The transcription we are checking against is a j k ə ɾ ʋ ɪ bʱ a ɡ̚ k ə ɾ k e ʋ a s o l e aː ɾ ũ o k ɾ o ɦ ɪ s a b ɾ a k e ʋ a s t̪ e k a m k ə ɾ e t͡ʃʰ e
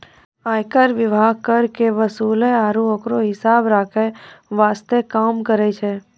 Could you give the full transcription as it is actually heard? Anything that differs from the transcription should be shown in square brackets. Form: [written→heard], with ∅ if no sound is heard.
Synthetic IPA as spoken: a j k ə ɾ ʋ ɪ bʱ a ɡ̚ k ə ɾ k e ʋ [a→ə] s [o→u] l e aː ɾ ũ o k ɾ o ɦ ɪ s a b ɾ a [k→kʰ] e ʋ a s t̪ e k a m k ə ɾ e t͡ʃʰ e